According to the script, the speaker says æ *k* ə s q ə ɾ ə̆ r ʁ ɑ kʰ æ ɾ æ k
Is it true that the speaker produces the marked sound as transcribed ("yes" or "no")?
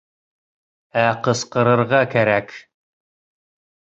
no